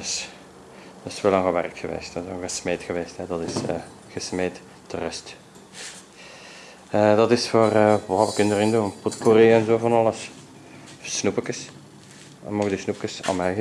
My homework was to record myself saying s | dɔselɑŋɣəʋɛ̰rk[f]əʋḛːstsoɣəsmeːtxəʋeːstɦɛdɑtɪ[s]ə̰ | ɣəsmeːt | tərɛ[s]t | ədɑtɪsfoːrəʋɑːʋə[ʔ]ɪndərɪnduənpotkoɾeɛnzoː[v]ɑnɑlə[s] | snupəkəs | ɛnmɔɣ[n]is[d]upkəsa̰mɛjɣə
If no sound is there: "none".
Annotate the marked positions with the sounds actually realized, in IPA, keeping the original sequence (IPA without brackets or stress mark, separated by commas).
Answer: x, s, s, k, v, s, d, n